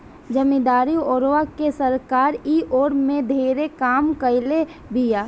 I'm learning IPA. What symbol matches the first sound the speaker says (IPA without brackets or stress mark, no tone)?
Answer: d͡ʒ